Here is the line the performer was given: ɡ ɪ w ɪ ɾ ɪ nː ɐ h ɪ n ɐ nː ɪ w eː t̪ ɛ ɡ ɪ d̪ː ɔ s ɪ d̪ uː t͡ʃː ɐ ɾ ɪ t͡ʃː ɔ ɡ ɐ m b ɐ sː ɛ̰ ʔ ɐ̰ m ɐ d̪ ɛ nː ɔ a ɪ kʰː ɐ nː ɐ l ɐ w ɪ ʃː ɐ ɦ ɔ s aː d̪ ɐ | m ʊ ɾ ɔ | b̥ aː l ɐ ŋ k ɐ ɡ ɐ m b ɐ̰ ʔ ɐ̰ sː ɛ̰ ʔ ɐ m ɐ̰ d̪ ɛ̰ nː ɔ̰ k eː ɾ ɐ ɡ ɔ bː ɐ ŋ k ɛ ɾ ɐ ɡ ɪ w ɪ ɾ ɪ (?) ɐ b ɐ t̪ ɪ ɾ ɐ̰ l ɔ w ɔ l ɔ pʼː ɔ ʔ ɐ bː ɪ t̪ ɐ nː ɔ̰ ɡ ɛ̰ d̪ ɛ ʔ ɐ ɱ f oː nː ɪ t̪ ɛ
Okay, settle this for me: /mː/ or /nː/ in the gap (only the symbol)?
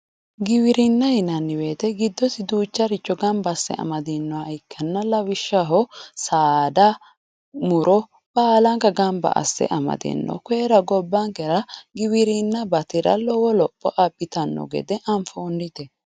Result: nː